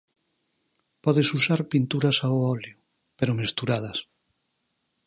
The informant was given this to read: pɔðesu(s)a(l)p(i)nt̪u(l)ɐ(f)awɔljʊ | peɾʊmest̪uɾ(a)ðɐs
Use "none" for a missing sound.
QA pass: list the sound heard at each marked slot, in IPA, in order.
s, ɾ, i, ɾ, s, a

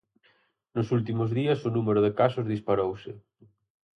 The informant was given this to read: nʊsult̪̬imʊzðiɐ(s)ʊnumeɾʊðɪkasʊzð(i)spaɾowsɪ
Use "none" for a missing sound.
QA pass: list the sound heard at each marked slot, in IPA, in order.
s, i

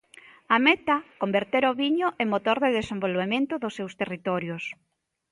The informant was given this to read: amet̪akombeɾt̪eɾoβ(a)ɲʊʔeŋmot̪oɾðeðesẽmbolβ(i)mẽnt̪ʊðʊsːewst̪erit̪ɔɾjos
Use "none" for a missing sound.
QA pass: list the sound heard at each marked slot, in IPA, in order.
i, e

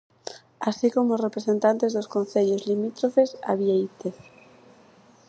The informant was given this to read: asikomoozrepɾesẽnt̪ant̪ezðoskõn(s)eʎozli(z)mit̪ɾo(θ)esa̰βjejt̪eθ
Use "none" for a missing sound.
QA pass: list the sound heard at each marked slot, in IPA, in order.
θ, none, f

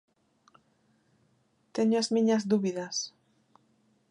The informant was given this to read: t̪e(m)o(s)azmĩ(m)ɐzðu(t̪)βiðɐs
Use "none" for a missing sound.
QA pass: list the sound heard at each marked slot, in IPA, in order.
ɲ, none, ɲ, none

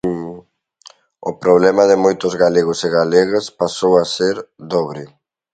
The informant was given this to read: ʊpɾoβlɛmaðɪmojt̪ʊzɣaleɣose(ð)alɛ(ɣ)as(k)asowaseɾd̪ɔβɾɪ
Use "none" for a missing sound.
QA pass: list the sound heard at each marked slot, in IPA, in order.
ɣ, ɣ, p

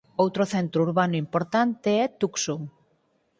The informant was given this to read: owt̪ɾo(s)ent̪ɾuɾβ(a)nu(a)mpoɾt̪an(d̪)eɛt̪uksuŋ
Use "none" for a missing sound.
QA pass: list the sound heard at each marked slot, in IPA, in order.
θ, a, i, t̪

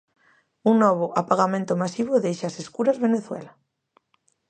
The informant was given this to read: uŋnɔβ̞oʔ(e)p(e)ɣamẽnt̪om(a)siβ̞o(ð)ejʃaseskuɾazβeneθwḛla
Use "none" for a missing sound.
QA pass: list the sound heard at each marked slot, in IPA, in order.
a, a, a, ð

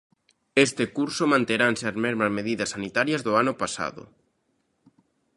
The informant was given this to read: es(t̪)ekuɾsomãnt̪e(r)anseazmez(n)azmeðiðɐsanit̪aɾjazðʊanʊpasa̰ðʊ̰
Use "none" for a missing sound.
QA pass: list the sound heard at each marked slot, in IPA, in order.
t̪, ɾ, m

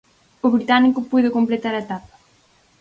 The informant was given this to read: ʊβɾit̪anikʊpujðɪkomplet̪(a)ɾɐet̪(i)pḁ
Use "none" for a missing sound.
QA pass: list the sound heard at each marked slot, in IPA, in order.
a, a

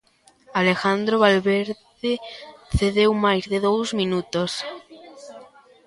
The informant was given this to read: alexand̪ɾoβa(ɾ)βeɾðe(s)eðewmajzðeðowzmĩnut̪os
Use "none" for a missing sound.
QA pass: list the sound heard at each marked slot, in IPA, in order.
l, θ

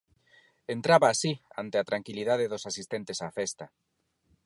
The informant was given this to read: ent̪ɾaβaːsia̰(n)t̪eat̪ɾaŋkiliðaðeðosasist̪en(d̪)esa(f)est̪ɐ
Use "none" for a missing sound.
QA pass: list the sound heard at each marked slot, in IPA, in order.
n, t̪, f

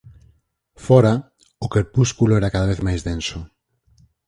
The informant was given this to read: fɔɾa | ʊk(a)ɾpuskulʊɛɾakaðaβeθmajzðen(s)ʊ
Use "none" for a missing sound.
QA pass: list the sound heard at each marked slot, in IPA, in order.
e, s

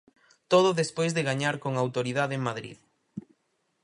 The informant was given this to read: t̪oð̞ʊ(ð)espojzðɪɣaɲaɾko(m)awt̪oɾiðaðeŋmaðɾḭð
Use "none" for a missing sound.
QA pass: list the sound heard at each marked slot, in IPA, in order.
ð, ŋ

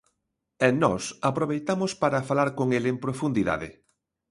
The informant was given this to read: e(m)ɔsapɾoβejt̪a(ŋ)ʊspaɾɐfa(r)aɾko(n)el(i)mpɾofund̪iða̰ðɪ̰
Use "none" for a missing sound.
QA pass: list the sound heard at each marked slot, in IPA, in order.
n, m, l, ŋ, e

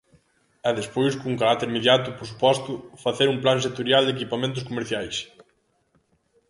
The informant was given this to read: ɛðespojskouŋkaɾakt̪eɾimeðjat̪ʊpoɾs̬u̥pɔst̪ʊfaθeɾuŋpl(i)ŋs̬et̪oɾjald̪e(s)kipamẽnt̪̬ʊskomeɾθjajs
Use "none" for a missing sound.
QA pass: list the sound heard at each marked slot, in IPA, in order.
a, none

